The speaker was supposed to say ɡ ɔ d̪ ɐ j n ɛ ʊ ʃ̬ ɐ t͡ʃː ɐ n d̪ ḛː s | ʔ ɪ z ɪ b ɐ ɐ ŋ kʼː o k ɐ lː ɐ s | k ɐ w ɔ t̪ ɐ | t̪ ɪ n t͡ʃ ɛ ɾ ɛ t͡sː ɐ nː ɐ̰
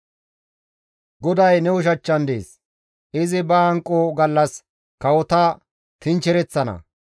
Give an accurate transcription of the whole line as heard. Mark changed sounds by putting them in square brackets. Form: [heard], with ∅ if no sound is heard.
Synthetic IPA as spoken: ɡ ɔ d̪ ɐ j n ɛ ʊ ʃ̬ ɐ t͡ʃː ɐ n d̪ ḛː s | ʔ ɪ z ɪ b ɐ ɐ ŋ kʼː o [ɡ] ɐ lː ɐ s | k ɐ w ɔ t̪ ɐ | t̪ ɪ n t͡ʃ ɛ ɾ ɛ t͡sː ɐ [n] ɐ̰

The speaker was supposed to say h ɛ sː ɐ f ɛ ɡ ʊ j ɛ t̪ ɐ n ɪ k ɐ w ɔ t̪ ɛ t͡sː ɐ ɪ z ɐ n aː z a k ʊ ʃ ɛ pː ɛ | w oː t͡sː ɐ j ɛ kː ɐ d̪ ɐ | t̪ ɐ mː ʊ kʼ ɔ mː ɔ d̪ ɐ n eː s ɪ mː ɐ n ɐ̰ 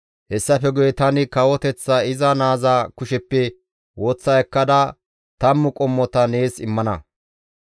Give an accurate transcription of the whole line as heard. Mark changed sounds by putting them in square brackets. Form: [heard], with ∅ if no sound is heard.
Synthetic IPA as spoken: h ɛ sː ɐ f ɛ ɡ ʊ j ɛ t̪ ɐ n ɪ k ɐ w ɔ t̪ ɛ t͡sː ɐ ɪ z ɐ n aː z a k ʊ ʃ ɛ pː ɛ | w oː t͡sː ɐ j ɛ kː ɐ d̪ ɐ | t̪ ɐ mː ʊ kʼ ɔ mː ɔ [t̪] ɐ n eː s ɪ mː ɐ n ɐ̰

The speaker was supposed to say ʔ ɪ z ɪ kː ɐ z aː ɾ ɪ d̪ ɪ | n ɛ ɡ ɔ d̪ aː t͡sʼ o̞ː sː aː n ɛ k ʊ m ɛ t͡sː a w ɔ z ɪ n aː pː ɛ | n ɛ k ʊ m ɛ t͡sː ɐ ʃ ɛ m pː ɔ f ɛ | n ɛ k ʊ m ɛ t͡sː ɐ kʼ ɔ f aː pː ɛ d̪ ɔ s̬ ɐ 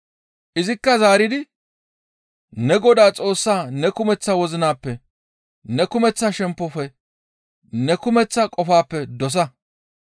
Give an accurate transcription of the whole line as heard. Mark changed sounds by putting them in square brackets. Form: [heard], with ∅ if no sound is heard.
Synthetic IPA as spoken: ʔ ɪ z ɪ kː ɐ z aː ɾ ɪ d̪ ɪ | n ɛ ɡ ɔ d̪ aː t͡sʼ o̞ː sː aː n ɛ k ʊ m ɛ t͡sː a w ɔ z ɪ n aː pː ɛ | n ɛ k ʊ m ɛ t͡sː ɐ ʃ ɛ m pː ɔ f ɛ | n ɛ k ʊ m ɛ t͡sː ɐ kʼ ɔ f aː pː ɛ d̪ ɔ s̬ ɐ

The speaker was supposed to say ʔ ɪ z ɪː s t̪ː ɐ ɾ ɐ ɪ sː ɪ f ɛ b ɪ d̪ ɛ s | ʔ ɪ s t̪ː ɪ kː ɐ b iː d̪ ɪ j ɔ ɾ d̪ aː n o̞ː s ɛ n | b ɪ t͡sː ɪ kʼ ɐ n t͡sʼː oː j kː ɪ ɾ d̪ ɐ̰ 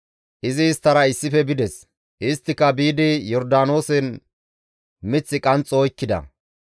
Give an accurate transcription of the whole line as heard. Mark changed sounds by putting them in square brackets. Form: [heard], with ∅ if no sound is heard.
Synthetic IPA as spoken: ʔ ɪ z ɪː s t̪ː ɐ ɾ ɐ ɪ sː ɪ f ɛ b ɪ d̪ ɛ s | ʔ ɪ s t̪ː ɪ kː ɐ b iː d̪ ɪ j ɔ ɾ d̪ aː n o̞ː s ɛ n | [m] ɪ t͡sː ɪ kʼ ɐ n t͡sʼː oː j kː ɪ [∅] d̪ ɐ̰

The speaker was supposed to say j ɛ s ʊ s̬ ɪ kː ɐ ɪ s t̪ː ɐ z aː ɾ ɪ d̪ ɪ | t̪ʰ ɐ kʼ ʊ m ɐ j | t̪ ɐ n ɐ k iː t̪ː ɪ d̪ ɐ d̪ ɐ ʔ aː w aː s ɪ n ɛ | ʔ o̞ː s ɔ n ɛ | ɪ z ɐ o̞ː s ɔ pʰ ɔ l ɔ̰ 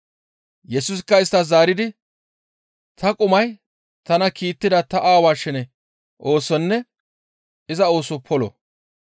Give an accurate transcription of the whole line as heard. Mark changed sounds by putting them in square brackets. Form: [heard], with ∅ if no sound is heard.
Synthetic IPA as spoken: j ɛ s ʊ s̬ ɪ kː ɐ ɪ s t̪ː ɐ z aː ɾ ɪ d̪ ɪ | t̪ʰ ɐ kʼ ʊ m ɐ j | t̪ ɐ n ɐ k iː t̪ː ɪ d̪ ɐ [t̪] ɐ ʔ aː w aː [ʃ] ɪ n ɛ | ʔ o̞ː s ɔ [nː] ɛ | ɪ z ɐ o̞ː s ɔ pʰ ɔ l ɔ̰

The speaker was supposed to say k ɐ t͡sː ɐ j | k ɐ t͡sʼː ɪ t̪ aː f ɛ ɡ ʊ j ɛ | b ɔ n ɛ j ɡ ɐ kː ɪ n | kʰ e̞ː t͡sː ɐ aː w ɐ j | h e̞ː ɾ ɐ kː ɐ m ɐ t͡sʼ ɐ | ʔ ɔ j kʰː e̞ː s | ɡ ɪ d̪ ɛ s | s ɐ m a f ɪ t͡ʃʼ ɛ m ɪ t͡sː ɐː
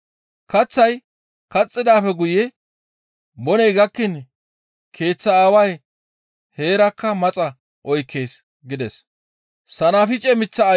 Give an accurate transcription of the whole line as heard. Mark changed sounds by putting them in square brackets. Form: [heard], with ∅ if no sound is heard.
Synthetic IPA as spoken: k ɐ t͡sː ɐ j | k ɐ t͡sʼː ɪ [d̪] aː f ɛ ɡ ʊ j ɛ | b ɔ n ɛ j ɡ ɐ kː ɪ n | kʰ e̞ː t͡sː ɐ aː w ɐ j | h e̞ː ɾ ɐ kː ɐ m ɐ t͡sʼ ɐ | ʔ ɔ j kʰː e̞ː s | ɡ ɪ d̪ ɛ s | s ɐ [n] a f ɪ t͡ʃʼ ɛ m ɪ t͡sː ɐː

